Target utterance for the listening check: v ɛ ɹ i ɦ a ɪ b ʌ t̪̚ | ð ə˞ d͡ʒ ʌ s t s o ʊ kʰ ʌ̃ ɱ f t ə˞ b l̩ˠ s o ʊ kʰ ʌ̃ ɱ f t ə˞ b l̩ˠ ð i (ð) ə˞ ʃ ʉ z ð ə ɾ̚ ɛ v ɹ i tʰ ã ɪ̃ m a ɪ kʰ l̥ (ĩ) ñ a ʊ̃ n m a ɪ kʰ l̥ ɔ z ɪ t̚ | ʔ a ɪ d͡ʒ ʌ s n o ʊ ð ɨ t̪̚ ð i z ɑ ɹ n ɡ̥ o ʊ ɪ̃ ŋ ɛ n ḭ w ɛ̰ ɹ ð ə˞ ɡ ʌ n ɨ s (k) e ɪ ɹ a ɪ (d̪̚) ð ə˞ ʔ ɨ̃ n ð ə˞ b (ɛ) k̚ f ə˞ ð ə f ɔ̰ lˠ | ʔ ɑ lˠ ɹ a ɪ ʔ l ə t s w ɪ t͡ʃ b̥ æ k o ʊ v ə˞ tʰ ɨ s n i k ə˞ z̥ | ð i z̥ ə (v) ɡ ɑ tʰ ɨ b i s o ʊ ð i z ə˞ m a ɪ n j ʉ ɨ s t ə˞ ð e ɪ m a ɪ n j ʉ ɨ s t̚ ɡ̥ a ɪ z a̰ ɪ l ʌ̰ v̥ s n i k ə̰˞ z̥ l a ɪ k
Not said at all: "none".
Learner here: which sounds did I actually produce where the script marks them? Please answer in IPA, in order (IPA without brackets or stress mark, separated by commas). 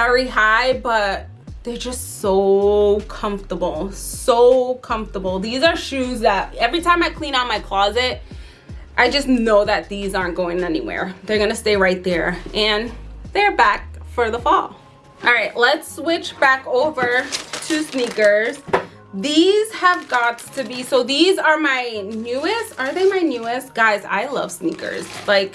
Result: z, ĩ, t, t̪̚, æ, v